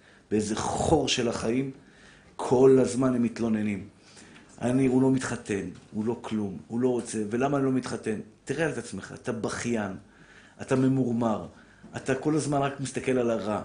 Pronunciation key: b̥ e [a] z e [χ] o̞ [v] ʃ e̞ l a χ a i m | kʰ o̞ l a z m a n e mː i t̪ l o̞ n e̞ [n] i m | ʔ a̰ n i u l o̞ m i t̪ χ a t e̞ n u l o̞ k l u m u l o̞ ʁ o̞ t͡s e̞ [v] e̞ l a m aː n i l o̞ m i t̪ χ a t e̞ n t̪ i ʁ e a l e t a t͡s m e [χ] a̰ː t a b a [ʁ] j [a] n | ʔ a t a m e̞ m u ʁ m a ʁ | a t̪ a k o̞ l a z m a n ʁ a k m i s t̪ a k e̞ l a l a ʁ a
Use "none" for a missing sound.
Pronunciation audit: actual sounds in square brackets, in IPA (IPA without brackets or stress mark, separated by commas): e, χ, ʁ, n, v, χ, χ, a